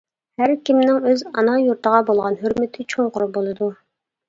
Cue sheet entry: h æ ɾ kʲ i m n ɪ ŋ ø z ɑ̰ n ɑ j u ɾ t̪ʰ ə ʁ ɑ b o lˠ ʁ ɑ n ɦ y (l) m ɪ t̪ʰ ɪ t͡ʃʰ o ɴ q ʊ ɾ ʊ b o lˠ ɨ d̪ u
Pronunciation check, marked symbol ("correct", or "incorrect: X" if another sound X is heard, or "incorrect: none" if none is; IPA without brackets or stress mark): incorrect: ɾ